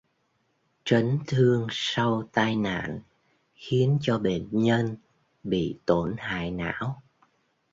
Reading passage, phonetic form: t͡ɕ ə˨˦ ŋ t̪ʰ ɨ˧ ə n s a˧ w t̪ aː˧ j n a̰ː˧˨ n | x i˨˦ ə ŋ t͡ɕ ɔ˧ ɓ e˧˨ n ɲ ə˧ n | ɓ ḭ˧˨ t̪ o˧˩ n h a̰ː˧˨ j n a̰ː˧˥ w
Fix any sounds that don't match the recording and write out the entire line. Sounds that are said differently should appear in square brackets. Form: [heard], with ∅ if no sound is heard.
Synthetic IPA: t͡ɕ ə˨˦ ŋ t̪ʰ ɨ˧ ə [ŋ] s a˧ w t̪ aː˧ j n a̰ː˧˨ n | x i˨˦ ə [n] t͡ɕ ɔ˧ ɓ e˧˨ n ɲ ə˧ n | ɓ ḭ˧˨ t̪ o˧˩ n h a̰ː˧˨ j n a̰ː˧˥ w